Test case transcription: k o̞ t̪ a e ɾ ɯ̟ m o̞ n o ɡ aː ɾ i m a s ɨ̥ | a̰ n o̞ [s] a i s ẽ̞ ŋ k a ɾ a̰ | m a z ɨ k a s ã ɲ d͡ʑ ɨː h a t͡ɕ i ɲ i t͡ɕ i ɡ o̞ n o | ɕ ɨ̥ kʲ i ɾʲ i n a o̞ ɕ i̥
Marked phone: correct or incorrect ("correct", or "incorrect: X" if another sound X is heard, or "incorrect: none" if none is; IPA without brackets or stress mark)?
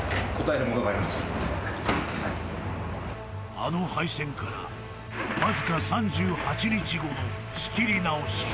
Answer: incorrect: h